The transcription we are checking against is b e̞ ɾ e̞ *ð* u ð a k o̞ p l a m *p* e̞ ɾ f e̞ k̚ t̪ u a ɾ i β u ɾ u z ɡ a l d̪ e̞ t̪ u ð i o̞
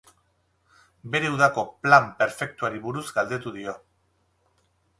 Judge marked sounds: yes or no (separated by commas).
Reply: no, yes